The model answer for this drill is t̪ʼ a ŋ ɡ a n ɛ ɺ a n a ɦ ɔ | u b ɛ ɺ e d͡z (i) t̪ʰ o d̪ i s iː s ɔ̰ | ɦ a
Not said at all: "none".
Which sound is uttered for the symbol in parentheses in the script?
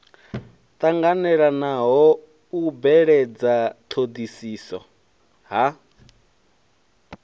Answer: a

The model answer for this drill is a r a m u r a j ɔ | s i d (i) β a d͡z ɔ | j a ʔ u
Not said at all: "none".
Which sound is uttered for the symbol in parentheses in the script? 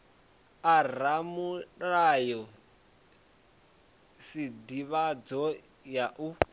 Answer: i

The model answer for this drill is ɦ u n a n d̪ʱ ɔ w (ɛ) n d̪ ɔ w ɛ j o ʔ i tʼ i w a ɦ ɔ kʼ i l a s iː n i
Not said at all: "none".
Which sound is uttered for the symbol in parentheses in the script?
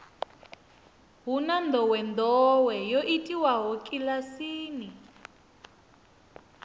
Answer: ɛ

